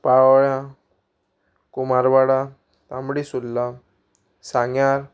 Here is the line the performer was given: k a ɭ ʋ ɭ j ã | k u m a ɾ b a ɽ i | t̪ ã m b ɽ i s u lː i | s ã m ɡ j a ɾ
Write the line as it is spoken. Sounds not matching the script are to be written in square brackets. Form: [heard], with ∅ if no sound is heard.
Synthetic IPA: [p] a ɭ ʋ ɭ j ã | k u m a ɾ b a ɽ [a] | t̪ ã m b ɽ i s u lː [a] | s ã [ŋ] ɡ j a ɾ